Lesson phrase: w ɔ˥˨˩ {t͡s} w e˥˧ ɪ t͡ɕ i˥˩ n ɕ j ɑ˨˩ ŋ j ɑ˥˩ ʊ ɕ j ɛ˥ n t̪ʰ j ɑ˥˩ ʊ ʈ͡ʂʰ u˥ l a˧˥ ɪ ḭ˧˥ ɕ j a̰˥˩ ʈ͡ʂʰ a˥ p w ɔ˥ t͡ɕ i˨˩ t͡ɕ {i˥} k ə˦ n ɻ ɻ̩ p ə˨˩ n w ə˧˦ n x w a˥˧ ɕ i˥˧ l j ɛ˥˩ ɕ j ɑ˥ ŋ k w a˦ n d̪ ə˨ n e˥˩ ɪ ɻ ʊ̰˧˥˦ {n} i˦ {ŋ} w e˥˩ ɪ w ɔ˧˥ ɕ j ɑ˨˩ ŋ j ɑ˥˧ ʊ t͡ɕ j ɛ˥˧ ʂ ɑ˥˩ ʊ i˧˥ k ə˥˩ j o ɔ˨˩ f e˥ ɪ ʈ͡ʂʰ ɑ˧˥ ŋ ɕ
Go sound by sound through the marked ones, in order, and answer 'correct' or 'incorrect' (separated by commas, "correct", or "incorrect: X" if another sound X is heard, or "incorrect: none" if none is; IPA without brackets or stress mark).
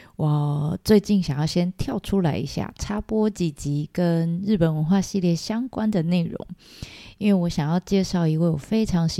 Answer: correct, incorrect: i˧˥, incorrect: ŋ, incorrect: n